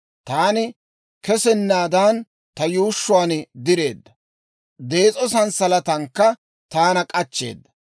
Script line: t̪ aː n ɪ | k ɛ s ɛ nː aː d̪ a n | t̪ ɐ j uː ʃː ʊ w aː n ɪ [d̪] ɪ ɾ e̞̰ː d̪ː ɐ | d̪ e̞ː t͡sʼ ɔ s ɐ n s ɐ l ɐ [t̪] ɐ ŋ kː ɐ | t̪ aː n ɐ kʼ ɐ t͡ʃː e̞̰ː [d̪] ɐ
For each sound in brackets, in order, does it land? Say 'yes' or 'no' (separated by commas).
yes, yes, no